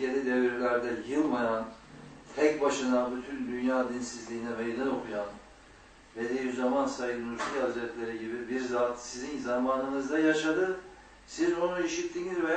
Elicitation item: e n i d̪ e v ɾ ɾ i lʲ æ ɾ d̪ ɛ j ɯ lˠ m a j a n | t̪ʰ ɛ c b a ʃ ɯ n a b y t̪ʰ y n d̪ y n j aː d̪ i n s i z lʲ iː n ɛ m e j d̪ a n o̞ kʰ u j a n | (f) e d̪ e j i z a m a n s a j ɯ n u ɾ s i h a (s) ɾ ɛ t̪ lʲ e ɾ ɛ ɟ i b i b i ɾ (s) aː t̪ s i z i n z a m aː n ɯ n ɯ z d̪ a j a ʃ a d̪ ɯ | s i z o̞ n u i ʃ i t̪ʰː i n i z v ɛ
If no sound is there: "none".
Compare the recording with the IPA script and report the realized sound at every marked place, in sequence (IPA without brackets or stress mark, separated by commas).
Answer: v, z, z